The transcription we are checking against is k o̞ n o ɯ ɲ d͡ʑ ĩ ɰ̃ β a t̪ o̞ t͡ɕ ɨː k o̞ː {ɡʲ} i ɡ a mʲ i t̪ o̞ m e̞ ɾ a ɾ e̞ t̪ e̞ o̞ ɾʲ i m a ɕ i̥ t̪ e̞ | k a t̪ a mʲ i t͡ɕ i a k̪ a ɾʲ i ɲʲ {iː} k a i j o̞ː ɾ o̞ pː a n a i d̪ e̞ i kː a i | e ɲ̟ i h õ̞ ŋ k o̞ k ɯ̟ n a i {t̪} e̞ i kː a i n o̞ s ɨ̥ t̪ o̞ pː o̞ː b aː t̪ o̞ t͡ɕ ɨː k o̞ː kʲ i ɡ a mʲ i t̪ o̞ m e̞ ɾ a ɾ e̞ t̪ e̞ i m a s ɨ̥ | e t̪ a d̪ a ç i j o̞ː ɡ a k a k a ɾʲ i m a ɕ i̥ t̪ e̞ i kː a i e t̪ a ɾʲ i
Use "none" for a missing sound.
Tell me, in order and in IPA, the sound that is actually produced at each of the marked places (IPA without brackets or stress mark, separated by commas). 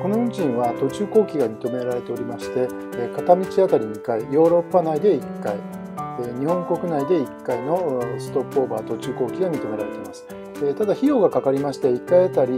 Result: kʲ, i, d̪